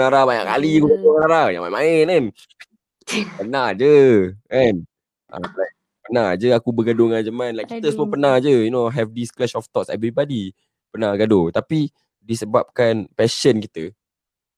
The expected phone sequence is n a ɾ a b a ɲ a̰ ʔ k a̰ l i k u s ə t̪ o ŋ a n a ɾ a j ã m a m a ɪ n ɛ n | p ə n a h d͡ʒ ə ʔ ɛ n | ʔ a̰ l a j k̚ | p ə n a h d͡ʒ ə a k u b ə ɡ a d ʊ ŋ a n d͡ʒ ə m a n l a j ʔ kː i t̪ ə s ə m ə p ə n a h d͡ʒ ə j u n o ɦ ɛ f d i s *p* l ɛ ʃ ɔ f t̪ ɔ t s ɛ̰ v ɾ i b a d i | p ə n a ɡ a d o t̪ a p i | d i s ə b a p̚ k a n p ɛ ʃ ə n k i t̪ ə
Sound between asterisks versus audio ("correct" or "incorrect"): incorrect